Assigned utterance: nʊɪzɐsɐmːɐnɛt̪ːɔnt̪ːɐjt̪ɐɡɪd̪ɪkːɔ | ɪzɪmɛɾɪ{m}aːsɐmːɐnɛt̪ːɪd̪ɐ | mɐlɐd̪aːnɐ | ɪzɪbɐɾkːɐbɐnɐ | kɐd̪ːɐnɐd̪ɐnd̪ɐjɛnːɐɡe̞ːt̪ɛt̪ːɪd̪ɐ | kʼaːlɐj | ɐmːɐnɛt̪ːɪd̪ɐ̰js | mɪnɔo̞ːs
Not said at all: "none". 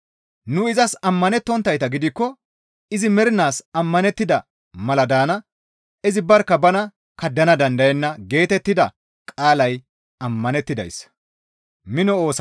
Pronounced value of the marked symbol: n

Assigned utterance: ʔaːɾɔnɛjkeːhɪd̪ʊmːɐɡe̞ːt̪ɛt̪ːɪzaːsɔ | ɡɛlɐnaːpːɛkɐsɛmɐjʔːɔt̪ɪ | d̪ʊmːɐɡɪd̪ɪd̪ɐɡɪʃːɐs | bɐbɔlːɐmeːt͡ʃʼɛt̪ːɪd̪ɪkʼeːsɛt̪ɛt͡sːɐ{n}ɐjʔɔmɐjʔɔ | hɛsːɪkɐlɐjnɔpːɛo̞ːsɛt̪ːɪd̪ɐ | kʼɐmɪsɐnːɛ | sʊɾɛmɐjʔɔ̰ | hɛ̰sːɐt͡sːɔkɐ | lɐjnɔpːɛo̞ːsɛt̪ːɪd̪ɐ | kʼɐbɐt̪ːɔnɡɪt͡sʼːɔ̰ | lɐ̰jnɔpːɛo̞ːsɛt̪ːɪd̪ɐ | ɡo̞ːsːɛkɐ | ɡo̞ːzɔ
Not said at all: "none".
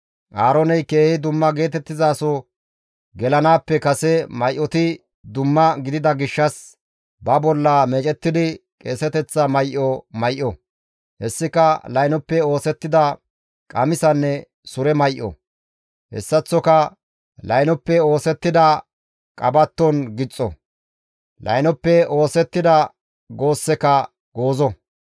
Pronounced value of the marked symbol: m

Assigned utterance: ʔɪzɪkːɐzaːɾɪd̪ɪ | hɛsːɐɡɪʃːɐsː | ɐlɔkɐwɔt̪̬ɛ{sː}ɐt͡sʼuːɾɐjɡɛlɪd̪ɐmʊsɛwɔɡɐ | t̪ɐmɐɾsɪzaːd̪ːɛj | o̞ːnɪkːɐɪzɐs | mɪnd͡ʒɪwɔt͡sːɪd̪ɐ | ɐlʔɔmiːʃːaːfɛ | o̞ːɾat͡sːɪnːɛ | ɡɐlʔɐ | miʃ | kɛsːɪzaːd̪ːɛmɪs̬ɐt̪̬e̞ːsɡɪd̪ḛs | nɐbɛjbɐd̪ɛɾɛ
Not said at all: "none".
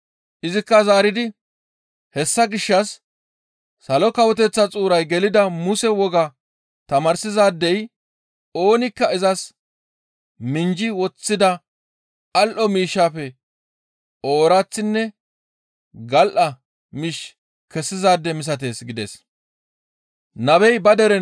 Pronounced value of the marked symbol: t͡sː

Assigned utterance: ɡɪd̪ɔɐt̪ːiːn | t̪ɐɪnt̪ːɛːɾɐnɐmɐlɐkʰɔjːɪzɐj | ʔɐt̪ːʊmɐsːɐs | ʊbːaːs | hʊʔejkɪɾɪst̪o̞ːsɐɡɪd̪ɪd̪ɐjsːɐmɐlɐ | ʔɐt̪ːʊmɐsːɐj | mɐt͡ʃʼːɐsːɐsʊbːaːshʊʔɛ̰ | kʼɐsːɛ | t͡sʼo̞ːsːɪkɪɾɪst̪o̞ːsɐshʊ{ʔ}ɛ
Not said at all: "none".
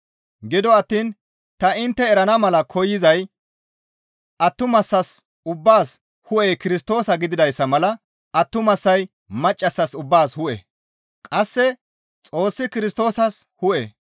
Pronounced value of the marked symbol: ʔ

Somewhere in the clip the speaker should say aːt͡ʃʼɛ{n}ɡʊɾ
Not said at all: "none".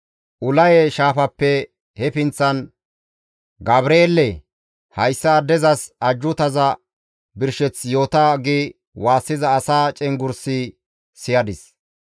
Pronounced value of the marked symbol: ŋ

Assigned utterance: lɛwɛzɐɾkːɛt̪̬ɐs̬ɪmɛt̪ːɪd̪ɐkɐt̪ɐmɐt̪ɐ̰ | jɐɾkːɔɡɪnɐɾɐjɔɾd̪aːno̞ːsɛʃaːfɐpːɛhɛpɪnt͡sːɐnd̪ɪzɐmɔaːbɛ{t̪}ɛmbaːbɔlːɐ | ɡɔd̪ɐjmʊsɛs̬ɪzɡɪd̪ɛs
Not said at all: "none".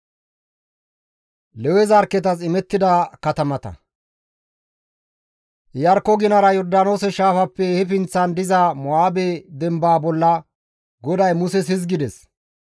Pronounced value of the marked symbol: d̪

